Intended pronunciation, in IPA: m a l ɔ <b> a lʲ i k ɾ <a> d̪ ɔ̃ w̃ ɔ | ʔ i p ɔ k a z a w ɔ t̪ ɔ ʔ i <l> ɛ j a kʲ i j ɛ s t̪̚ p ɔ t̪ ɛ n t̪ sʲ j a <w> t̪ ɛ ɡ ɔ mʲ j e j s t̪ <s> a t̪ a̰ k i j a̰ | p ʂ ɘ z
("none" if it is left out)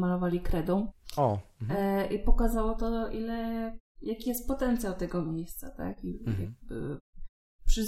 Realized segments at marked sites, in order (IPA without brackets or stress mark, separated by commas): v, ɛ, l, w, s